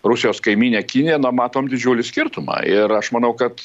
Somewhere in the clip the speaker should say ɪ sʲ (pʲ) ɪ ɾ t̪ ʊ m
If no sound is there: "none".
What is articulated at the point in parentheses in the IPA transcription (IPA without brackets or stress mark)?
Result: kʲ